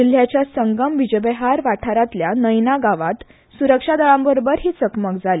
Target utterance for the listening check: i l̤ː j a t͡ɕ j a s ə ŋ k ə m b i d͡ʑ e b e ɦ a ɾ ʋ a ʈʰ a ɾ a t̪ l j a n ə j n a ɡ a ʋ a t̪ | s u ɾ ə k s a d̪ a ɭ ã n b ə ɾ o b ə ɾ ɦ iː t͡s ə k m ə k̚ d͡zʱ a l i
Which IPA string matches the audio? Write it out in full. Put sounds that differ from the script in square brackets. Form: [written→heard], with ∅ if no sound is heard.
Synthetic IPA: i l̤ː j a t͡ɕ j a s ə ŋ [k→ɡ] ə m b i d͡ʑ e b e ɦ a ɾ ʋ a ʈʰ a ɾ a t̪ l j a n ə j n a ɡ a ʋ a t̪ | s u ɾ ə k [s→ʂ] a d̪ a ɭ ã [n→m] b ə ɾ o b ə ɾ ɦ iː t͡s ə k m ə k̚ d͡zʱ a l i